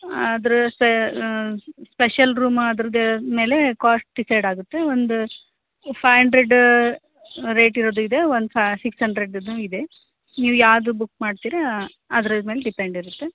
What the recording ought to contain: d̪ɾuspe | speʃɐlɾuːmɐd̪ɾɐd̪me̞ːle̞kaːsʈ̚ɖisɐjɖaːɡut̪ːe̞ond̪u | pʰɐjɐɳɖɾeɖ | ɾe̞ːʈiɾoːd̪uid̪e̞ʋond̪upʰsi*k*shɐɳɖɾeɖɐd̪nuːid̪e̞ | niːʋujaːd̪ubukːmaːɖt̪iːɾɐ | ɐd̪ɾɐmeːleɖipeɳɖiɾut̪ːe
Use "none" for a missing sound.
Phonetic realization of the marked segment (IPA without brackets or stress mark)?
k